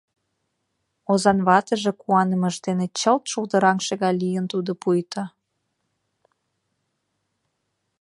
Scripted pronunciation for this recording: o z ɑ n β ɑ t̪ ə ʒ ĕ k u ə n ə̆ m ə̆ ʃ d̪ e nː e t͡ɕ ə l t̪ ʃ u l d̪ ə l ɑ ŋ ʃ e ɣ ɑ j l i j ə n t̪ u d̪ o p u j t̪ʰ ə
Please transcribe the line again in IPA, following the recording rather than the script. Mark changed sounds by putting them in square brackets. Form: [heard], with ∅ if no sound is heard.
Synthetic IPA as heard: o z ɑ n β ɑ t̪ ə ʒ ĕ k u [ɑ] n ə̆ m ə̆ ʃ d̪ e [n] e t͡ɕ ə l t̪ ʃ u l d̪ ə [ɾ] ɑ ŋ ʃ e ɣ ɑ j l i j ə n t̪ u d̪ o p u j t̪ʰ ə

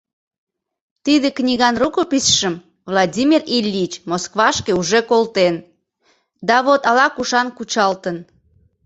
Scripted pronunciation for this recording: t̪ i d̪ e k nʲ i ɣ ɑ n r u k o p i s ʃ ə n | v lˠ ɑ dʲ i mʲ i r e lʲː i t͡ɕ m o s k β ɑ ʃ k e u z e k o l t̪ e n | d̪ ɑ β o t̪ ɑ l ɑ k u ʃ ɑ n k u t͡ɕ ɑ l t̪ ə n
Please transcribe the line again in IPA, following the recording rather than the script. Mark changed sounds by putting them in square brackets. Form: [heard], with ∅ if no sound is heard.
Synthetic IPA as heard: t̪ i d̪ e k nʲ i ɣ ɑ n r u k o p i s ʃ ə [m] | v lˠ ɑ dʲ i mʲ i r [i] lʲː i t͡ɕ m o s k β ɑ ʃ k e u [ʒ] e k o l t̪ e n | d̪ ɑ β o t̪ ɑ l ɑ k u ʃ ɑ n k u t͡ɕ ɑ l t̪ ə n

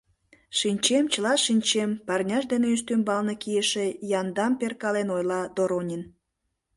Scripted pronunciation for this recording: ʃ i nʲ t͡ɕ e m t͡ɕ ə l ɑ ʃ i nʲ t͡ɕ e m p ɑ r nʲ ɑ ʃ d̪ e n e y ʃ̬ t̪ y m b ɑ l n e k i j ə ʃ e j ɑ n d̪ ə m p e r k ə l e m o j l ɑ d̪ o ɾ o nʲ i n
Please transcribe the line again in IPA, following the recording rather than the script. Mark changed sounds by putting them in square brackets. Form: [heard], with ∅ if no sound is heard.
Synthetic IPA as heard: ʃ i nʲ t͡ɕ e m t͡ɕ ə l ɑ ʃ i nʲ t͡ɕ e m p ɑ r nʲ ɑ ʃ d̪ e n e y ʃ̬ t̪ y m b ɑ l n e k i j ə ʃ e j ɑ n d̪ [ɑ] m p e r k [ɑ] l e [n] o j l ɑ d̪ o ɾ o nʲ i n

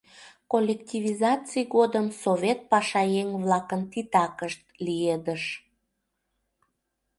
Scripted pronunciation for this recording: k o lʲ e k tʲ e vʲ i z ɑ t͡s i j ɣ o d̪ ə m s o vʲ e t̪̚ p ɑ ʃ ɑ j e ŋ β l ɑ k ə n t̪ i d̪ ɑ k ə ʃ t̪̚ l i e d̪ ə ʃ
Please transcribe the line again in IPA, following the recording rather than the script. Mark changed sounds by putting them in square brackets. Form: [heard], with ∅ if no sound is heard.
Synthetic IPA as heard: k o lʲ e k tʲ [i] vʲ i z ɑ t͡s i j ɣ o d̪ ə m s o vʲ e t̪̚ p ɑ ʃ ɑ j e ŋ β l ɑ k ə n t̪ i [t̪] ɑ k ə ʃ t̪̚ l i e d̪ ə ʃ

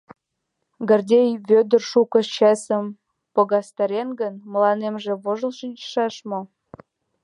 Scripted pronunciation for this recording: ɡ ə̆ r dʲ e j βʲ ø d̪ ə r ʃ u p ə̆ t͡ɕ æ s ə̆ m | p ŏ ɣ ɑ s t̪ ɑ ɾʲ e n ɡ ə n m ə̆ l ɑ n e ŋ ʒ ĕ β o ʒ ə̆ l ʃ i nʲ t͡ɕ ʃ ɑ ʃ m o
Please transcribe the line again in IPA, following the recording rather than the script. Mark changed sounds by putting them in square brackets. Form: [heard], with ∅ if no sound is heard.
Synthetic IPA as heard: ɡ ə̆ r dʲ e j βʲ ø d̪ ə r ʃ u [k] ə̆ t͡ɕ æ s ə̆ m | p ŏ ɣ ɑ s t̪ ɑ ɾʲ e n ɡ ə n m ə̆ l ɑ n e [m] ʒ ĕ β o ʒ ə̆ l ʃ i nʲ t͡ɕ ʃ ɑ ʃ m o

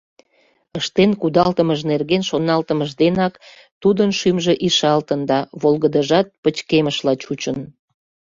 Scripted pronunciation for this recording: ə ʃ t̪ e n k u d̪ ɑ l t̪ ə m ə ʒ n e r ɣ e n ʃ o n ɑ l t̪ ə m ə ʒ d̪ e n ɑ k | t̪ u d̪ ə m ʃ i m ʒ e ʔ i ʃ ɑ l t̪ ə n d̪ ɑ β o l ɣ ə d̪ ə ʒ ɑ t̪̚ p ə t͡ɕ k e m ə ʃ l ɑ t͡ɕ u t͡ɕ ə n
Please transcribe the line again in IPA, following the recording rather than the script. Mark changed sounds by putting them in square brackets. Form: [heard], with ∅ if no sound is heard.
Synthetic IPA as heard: ə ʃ t̪ e n k u d̪ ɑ l t̪ ə m ə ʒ n e r ɣ e n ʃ o n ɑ l t̪ ə m ə ʒ d̪ e n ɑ k | t̪ u d̪ ə [n] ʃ [y] m ʒ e ʔ i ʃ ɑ l t̪ ə n d̪ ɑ β o l ɣ ə d̪ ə ʒ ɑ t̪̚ p ə t͡ɕ k e m ə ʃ l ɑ t͡ɕ u t͡ɕ ə n

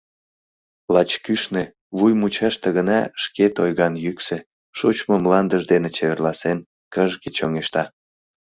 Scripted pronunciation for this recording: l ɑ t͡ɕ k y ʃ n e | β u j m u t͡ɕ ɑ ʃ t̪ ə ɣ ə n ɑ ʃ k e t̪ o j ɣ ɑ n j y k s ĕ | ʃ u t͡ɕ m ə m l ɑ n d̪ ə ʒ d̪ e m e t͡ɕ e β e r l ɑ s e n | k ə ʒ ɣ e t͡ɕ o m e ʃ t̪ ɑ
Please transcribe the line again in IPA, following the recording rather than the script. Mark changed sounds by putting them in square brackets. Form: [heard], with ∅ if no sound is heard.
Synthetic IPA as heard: l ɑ t͡ɕ k y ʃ n e | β u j m u t͡ɕ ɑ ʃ t̪ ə ɣ ə n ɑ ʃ k e t̪ o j ɣ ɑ n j y k s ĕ | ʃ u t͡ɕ m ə m l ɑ n d̪ ə ʒ d̪ e [n] e t͡ɕ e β e r l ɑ s e n | k ə ʒ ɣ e t͡ɕ o [ŋ] e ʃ t̪ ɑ

